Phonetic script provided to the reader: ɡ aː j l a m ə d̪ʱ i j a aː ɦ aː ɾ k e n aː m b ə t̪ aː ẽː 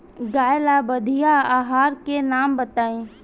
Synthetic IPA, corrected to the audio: ɡ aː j l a b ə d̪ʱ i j a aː ɦ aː ɾ k e n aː m b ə t̪ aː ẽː